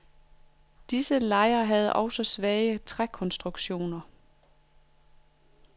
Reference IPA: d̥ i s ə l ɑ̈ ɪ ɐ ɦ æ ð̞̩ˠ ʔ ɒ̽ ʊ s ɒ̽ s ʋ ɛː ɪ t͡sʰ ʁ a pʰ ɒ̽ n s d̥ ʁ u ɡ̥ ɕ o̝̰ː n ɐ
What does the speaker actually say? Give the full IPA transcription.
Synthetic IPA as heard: d̥ i s ə l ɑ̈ ɪ ɐ ɦ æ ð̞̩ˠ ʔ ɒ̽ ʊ s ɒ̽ s ʋ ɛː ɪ t͡sʰ ʁ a kʰ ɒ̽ n s d̥ ʁ u ɡ̥ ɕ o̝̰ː n ɐ